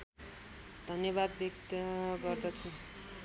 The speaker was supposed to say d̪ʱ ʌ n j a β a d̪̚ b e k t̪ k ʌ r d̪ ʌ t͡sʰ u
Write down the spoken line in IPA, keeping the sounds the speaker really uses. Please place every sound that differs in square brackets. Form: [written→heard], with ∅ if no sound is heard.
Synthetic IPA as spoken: d̪ʱ ʌ n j [a→ʌ] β a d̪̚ b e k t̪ [k→ɡ] ʌ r d̪ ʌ t͡sʰ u